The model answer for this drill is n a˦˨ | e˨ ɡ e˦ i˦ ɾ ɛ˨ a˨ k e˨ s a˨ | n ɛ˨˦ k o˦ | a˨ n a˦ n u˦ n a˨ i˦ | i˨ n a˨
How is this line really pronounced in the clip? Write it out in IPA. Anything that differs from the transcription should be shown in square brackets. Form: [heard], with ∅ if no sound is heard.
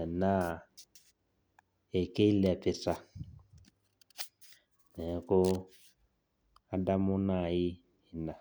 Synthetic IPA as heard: n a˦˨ | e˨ [k] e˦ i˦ [l] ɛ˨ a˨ [p] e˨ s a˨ | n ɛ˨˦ k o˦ | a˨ [d] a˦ [m] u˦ n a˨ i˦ | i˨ n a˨

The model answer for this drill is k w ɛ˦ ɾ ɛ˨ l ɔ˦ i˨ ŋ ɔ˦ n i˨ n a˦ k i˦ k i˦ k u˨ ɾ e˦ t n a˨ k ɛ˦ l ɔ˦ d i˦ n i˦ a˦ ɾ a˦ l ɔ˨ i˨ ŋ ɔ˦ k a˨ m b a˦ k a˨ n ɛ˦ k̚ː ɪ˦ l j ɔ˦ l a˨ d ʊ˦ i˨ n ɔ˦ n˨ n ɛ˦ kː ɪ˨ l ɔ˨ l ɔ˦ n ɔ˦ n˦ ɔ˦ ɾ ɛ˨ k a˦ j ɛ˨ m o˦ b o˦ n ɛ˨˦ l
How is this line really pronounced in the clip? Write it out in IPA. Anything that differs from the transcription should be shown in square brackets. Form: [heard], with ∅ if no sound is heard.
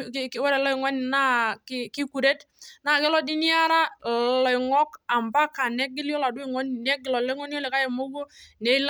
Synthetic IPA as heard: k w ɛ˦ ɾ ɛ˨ l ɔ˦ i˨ ŋ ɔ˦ n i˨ n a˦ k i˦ k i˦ k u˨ ɾ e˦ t n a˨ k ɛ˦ l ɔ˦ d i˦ n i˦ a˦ ɾ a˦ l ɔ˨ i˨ ŋ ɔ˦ k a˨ m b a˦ k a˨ n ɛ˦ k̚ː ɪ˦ l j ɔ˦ l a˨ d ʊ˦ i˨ [ŋ] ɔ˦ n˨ n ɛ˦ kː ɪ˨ l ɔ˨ l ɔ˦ [ŋ] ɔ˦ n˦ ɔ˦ [l] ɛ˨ k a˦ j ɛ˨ m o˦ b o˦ n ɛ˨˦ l

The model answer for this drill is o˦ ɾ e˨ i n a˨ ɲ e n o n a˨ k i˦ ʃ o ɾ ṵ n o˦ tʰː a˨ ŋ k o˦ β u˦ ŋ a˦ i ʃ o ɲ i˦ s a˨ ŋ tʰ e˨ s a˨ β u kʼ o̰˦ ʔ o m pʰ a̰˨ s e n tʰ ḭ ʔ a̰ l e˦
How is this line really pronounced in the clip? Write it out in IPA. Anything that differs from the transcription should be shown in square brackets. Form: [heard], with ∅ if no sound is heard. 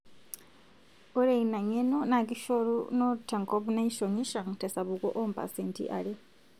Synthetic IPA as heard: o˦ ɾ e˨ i n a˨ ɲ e n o n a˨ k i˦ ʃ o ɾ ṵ n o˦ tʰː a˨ ŋ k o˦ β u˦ [n] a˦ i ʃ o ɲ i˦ [ʃ] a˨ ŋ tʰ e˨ s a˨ β u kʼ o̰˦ ʔ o m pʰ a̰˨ s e n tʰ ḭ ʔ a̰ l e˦

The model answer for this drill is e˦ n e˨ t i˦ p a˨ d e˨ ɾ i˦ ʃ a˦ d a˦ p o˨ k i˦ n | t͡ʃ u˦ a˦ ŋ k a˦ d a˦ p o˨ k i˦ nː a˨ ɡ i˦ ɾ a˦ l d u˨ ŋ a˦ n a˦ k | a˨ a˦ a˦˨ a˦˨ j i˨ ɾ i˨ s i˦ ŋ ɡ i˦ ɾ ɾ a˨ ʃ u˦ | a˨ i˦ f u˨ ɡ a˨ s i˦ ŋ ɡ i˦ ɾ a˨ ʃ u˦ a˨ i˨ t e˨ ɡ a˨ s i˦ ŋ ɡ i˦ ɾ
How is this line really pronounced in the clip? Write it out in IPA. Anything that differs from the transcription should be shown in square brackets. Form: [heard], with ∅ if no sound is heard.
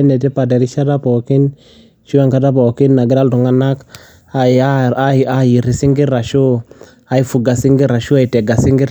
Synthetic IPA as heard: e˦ n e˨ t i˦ p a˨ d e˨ ɾ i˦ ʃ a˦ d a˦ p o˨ k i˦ n | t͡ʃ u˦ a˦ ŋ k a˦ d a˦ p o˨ k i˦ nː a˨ ɡ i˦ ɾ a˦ l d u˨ ŋ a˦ n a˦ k | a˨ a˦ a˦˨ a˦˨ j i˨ ɾ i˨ s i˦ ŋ ɡ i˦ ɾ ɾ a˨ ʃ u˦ | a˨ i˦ f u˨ ɡ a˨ s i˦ ŋ ɡ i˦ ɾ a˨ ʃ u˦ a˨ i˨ t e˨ ɡ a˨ s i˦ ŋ ɡ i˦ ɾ

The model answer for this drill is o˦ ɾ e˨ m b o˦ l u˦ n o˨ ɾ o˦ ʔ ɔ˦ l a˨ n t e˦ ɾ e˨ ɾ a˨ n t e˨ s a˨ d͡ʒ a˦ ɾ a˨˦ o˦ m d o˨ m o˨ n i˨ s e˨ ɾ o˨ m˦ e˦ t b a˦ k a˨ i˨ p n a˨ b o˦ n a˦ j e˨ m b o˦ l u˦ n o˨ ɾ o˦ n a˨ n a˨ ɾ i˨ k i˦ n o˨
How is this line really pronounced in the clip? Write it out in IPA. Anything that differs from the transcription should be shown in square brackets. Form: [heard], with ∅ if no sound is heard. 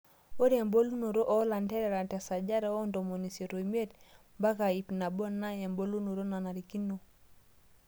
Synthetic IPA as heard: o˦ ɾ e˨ m b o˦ l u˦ n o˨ ɾ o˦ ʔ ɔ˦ l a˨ n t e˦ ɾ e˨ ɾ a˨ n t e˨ s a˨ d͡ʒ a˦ ɾ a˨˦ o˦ [n] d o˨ m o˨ n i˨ s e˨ ɾ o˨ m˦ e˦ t b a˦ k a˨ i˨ p n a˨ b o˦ n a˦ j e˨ m b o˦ l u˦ n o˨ ɾ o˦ n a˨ n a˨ ɾ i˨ k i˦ n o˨

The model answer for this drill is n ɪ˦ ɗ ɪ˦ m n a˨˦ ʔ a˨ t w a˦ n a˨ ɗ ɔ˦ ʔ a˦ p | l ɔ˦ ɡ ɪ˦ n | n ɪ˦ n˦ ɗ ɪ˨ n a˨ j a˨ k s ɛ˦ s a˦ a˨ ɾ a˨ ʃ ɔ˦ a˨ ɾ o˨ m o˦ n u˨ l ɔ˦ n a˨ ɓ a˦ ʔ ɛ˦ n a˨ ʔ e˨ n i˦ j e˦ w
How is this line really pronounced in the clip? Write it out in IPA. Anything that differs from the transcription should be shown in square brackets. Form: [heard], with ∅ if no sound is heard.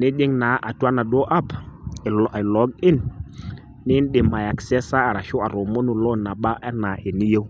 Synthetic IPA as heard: n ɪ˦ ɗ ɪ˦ [ŋ] n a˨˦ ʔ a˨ t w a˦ n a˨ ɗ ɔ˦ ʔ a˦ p | l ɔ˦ ɡ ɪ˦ n | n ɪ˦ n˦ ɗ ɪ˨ [m] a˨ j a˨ k s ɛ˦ s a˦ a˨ ɾ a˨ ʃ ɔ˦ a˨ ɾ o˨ m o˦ n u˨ l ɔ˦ n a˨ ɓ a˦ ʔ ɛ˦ n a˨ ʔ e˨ n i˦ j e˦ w

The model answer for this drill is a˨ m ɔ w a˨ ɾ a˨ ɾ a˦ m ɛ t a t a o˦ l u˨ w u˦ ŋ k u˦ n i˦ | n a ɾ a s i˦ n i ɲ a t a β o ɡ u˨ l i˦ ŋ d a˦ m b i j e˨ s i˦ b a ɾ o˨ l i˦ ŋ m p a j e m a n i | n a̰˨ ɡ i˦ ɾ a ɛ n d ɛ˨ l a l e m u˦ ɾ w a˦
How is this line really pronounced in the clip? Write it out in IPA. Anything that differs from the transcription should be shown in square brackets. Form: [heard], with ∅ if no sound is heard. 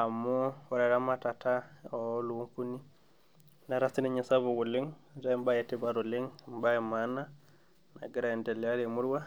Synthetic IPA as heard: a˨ m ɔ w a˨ ɾ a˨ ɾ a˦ m [a] t a t a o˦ l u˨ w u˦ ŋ k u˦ n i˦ | n a ɾ a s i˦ n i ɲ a [s] a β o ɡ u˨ l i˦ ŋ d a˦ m b [a] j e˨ [t] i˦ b a ɾ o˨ l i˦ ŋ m [b] a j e m a n [a] | n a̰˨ ɡ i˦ ɾ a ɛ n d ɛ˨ l a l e m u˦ ɾ w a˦

